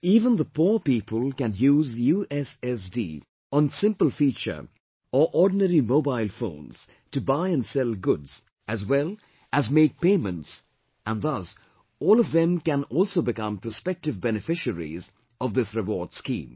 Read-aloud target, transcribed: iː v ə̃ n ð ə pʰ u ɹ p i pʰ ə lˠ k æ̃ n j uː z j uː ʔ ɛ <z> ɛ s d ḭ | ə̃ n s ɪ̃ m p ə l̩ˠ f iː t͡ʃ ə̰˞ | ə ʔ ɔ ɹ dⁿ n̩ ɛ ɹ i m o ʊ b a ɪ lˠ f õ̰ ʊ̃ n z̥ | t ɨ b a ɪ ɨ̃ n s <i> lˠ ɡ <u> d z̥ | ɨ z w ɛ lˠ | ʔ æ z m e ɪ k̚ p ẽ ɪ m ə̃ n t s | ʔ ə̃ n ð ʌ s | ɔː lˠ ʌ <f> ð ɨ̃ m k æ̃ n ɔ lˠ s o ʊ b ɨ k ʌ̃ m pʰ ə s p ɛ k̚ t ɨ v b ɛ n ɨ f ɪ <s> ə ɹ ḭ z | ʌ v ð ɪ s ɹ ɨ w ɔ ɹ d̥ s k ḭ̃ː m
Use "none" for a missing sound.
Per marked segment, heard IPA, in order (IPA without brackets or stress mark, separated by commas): s, ɛ, ʊ, v, ʃ